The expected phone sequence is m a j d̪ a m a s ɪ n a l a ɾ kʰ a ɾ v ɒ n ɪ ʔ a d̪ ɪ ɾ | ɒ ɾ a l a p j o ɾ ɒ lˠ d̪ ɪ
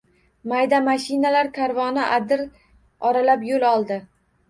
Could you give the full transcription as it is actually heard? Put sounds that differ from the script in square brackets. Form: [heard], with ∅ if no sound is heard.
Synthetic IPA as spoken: m a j d̪ a m a [ʃ] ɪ n a l a ɾ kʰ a ɾ v ɒ n ɪ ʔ a d̪ ɪ ɾ | ɒ ɾ a l a p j o [l] ɒ lˠ d̪ ɪ